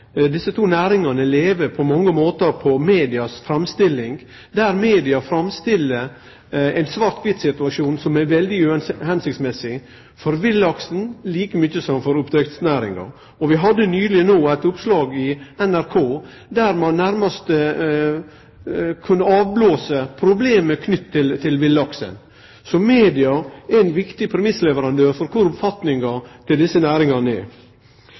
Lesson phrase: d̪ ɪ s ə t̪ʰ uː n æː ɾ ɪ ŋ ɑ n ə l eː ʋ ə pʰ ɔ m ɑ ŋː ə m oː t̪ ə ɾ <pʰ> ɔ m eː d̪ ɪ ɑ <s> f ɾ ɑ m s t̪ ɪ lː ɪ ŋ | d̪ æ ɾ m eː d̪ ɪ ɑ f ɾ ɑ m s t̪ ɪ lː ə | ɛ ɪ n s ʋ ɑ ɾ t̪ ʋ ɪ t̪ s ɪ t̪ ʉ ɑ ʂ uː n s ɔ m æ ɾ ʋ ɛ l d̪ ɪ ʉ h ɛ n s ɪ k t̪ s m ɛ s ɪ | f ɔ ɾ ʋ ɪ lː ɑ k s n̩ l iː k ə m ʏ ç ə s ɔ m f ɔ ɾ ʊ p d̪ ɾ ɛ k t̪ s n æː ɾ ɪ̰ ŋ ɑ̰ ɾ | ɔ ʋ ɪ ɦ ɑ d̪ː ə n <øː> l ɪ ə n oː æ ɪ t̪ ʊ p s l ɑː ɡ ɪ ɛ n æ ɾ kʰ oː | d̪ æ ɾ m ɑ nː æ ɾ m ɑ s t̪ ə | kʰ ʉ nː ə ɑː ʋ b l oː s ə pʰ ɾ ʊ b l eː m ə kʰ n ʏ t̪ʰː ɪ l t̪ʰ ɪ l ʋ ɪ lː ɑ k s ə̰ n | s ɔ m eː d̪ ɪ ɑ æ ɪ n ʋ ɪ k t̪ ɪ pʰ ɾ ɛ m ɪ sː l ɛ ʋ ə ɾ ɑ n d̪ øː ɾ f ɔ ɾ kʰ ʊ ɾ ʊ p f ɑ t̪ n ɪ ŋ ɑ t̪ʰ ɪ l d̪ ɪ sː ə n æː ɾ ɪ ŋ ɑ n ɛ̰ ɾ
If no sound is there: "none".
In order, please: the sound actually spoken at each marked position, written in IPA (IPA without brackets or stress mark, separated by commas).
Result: pʰ, s, yː